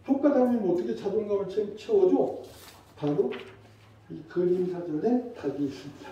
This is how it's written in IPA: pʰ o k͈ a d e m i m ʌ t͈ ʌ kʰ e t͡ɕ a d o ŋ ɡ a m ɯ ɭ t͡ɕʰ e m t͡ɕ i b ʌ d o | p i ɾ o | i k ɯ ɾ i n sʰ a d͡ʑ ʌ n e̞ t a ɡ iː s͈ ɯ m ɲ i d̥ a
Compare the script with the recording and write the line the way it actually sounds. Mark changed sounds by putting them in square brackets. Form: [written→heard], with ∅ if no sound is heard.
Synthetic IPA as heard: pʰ o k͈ a d [e→a] m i m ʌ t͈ ʌ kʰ e t͡ɕ a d o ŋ ɡ a m ɯ ɭ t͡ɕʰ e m [t͡ɕ→t͡ɕʰ] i [b→w] ʌ [d→d͡ʑ] o | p [i→a] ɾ o | i k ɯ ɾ i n sʰ a d͡ʑ ʌ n e̞ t a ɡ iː s͈ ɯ m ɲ i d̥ a